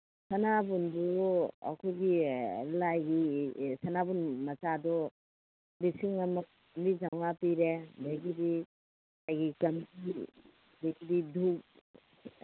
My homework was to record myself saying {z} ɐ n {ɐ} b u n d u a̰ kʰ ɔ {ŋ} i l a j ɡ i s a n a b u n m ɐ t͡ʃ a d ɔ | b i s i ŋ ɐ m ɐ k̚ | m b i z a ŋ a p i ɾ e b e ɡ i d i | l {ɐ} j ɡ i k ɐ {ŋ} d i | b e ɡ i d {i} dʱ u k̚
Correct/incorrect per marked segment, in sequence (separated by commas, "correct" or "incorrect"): incorrect, incorrect, incorrect, incorrect, incorrect, correct